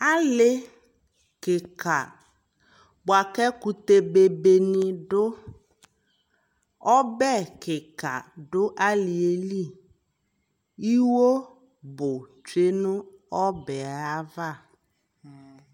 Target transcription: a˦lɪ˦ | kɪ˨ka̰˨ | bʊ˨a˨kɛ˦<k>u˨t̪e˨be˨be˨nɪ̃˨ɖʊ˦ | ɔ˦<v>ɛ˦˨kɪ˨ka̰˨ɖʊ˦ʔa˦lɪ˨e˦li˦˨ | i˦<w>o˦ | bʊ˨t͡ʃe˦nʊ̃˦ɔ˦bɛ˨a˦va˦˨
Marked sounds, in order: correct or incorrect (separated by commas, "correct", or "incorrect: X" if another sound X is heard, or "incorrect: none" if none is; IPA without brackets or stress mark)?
correct, incorrect: b, correct